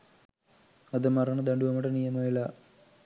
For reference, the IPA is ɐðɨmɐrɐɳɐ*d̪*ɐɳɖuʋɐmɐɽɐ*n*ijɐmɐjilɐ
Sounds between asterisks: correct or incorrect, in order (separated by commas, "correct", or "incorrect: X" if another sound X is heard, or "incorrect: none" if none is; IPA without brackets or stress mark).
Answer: correct, correct